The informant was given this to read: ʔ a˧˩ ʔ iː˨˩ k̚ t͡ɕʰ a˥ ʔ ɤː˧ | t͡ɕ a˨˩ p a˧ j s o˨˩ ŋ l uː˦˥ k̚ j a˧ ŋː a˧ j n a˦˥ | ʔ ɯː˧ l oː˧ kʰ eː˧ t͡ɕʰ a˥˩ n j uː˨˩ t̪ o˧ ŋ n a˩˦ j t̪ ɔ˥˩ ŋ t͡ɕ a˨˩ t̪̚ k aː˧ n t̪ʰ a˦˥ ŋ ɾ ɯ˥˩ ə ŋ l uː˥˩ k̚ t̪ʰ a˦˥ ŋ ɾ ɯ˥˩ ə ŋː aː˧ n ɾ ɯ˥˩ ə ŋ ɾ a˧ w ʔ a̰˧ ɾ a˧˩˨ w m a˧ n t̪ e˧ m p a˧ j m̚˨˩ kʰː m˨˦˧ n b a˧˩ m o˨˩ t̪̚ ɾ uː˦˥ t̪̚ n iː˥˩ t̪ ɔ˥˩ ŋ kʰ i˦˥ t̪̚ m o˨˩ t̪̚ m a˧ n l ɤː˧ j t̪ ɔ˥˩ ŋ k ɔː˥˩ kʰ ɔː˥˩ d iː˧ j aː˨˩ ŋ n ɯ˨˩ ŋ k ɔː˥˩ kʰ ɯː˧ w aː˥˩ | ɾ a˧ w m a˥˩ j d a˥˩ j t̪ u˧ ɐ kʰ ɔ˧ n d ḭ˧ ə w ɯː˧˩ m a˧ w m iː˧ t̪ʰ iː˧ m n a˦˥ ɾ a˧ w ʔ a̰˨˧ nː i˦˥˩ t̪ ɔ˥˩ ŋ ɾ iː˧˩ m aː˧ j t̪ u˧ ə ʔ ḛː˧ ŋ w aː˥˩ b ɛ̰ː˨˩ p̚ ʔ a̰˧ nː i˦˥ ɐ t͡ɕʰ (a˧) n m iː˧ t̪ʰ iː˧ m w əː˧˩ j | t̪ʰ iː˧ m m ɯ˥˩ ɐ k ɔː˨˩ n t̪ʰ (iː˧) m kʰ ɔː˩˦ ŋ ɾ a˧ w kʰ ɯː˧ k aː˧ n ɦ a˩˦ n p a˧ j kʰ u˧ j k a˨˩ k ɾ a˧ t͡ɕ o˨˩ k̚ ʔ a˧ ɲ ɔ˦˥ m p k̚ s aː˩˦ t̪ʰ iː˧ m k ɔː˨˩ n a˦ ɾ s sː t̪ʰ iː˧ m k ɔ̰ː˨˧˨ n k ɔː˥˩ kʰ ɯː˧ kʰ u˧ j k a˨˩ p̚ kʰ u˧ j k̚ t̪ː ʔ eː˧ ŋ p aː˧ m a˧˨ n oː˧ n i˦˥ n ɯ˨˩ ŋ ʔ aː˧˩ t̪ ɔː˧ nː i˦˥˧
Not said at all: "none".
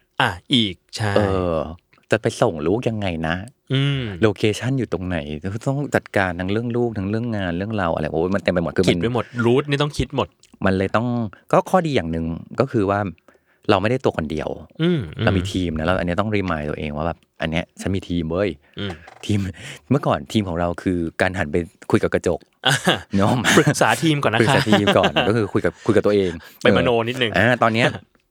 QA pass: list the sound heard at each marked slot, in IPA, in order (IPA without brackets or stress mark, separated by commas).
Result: a˦˥, iː˧